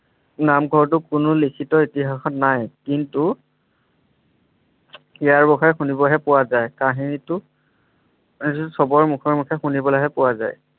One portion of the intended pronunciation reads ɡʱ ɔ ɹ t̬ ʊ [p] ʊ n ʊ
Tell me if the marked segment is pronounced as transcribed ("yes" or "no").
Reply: no